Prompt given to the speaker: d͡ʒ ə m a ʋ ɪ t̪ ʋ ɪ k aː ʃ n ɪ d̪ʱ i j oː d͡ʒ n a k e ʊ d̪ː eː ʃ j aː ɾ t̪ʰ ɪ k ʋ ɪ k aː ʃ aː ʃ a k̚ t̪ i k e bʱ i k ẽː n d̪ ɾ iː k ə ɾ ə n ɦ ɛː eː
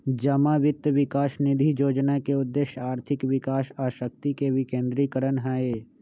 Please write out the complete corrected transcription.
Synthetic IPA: d͡ʒ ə m a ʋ ɪ t̪ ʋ ɪ k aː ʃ n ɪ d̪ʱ i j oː d͡ʒ n a k e ʊ d̪ː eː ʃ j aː ɾ t̪ʰ ɪ k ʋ ɪ k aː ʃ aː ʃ ə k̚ t̪ i k e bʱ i k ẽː n d̪ ɾ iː k ə ɾ ə n ɦ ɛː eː